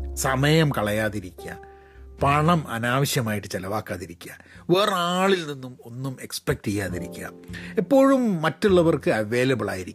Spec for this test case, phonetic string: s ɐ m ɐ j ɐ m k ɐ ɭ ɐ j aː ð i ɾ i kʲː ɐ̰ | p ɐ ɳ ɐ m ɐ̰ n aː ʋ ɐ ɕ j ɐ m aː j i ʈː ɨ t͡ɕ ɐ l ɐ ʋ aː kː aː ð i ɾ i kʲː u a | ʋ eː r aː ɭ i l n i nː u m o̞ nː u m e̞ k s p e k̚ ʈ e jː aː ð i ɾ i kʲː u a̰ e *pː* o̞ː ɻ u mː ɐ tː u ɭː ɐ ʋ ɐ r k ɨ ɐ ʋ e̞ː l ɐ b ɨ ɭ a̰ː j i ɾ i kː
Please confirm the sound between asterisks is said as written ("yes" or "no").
yes